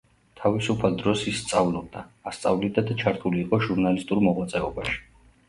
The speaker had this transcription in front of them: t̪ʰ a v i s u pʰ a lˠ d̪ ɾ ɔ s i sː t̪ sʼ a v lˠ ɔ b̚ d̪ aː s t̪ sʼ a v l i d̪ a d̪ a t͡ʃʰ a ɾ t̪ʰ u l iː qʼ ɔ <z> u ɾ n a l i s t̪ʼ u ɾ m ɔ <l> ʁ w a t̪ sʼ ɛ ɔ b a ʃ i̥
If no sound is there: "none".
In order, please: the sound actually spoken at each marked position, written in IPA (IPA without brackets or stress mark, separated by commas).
ʒ, none